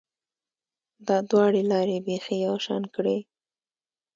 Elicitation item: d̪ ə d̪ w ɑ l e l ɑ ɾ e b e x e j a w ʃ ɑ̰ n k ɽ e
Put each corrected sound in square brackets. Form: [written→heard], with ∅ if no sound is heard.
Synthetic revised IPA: d̪ [ə→ɑ] d̪ w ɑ [l→ɽ] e l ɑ ɾ e b e x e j a w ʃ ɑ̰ n k ɽ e